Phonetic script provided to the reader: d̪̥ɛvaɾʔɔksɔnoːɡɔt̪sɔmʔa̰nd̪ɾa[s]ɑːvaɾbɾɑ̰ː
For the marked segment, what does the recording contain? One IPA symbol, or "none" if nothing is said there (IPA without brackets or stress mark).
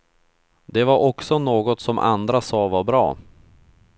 s